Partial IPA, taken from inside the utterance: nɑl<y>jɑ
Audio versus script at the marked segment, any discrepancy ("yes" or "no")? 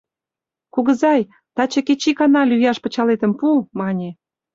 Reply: no